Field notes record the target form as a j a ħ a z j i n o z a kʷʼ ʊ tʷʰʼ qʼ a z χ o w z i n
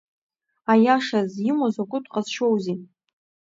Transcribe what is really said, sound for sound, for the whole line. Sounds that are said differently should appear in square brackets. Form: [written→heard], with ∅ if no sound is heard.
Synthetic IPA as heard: a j a [ħ→ʂ] a z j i [n→m] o z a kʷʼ ʊ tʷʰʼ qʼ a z [χ→ʃ] o w z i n